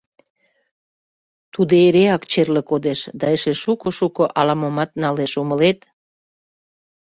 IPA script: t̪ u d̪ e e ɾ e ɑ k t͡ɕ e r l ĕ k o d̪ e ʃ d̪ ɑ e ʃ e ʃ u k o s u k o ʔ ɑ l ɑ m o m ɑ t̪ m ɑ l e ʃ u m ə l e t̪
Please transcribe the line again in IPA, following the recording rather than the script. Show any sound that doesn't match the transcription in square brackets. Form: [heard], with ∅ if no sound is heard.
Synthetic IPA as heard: t̪ u d̪ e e ɾ e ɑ k t͡ɕ e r l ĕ k o d̪ e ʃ d̪ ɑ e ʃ e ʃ u k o [ʃ] u k o ʔ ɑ l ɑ m o m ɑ t̪ [n] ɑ l e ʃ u m ə l e t̪